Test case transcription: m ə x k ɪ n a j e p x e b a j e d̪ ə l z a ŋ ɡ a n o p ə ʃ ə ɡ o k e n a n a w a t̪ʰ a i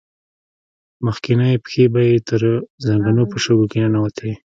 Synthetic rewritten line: m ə x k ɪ n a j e p x e b a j e t̪ ə ɾ z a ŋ ɡ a n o p ə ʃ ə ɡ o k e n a n a w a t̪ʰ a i